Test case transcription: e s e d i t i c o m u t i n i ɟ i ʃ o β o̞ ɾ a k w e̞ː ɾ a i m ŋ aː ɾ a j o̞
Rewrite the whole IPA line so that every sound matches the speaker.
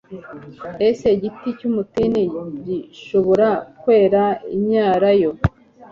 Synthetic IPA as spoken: e s e ɟ i t i c u m u t i n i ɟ i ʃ o β o̞ ɾ a k w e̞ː ɾ a i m ɲ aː ɾ a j o̞